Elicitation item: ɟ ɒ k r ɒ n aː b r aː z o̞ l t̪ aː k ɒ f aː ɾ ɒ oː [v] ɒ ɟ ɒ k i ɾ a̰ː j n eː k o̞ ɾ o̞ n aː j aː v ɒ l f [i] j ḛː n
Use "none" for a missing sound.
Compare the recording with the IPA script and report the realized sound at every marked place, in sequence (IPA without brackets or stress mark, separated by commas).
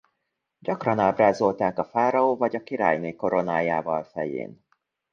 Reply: v, ɛ